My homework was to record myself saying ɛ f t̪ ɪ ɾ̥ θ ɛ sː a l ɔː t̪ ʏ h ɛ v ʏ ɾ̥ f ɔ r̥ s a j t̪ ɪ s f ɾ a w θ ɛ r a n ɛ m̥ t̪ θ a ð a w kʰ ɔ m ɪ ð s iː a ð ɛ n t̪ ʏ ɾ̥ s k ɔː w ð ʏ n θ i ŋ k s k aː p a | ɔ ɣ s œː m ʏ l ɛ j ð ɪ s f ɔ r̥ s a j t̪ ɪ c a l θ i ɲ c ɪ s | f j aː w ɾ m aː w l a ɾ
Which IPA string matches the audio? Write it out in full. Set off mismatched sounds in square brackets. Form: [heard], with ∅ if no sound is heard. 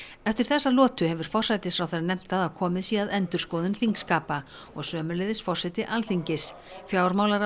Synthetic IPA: ɛ f t̪ ɪ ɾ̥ θ ɛ sː a l ɔː t̪ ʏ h ɛ v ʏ ɾ̥ f ɔ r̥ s a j t̪ ɪ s f ɾ a w θ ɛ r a n ɛ m̥ t̪ θ a ð a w kʰ [ɔː] m ɪ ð s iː a ð ɛ n t̪ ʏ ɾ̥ s k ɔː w ð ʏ n θ i ŋ k s k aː p a | ɔ ɣ s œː m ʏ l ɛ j ð ɪ s f ɔ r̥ s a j t̪ ɪ [ʔ] a l θ i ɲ c ɪ s | f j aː w ɾ m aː w l a ɾ